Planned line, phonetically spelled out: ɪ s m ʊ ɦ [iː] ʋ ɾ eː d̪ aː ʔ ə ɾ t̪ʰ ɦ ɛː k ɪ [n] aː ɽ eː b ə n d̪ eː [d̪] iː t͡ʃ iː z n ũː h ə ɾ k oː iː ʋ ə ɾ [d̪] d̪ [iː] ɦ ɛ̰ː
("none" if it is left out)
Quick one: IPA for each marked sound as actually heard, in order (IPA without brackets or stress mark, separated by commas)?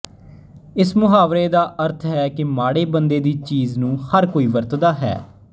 aː, m, d̪, t̪, aː